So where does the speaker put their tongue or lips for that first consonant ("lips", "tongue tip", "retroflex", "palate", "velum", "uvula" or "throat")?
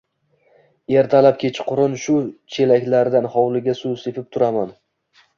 tongue tip